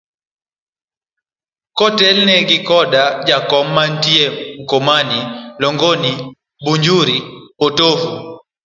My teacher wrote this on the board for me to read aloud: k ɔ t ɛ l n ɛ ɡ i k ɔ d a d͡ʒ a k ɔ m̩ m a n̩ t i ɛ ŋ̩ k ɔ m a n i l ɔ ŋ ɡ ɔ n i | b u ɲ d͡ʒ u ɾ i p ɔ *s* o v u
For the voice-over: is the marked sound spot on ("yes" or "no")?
no